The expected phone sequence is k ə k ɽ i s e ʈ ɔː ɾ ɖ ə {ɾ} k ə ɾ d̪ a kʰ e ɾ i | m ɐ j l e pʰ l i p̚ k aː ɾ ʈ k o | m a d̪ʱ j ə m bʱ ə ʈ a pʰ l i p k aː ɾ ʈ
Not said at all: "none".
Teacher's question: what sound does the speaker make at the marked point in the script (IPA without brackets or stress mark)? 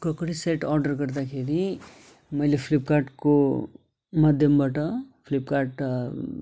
ɾ